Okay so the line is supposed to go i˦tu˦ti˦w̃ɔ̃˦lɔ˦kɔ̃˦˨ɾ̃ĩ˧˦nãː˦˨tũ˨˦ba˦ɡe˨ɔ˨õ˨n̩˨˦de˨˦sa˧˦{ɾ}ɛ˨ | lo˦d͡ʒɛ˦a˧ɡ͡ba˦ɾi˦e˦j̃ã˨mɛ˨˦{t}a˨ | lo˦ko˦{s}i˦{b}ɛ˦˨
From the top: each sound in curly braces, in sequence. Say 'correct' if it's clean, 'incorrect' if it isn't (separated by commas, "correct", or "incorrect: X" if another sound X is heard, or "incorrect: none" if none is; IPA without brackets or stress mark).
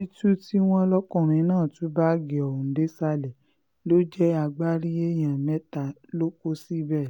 incorrect: l, correct, correct, correct